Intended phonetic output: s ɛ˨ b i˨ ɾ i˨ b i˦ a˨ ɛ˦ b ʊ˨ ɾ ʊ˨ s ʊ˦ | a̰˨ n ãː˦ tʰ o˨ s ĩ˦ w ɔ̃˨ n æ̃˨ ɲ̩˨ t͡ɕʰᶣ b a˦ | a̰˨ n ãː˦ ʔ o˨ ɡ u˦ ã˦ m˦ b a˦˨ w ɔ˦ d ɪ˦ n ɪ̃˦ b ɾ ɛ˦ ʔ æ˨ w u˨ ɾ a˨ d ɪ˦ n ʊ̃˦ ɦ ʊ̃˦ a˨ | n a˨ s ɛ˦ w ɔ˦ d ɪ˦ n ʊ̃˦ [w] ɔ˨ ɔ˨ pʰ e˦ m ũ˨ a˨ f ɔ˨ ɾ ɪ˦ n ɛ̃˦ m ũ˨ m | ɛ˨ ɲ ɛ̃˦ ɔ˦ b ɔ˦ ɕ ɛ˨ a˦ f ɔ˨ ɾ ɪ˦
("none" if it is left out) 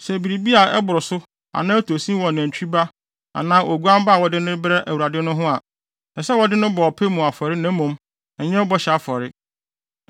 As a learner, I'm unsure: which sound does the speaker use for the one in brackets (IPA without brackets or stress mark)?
b